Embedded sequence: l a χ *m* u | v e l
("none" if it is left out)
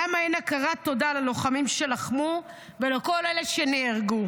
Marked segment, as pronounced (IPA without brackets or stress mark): m